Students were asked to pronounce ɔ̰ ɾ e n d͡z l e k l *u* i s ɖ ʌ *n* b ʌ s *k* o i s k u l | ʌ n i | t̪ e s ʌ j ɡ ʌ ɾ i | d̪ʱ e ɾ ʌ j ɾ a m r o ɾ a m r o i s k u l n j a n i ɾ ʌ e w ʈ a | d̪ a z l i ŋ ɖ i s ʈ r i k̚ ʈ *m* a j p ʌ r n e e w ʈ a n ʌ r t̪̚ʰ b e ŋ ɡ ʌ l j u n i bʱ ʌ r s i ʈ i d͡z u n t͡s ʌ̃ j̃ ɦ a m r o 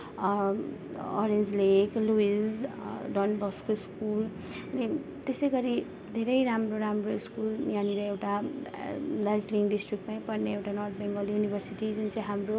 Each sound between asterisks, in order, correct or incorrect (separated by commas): correct, correct, correct, correct